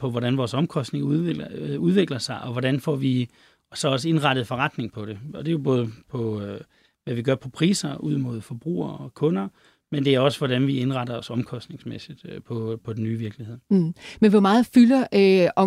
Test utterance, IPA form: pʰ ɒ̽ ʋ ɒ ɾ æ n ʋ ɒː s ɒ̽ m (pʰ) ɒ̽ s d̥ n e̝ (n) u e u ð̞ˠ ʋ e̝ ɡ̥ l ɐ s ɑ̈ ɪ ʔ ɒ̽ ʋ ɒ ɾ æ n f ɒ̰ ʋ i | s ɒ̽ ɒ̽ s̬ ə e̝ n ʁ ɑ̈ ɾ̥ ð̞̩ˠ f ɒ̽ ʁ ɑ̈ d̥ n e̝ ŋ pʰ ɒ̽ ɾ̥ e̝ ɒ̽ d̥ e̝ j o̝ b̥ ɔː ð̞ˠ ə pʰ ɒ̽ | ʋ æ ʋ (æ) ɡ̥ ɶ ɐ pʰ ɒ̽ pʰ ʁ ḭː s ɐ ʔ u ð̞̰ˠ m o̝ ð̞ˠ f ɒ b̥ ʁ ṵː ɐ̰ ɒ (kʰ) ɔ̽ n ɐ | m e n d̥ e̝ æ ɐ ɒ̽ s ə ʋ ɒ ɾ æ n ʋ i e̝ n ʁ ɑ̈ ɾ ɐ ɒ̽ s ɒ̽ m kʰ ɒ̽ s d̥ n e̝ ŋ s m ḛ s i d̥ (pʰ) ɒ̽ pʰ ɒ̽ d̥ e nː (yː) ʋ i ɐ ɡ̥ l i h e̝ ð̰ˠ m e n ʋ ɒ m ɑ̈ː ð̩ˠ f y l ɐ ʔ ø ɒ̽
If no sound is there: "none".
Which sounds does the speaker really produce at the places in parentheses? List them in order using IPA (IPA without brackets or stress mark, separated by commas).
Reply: kʰ, ŋ, i, kʰ, pʰ, yː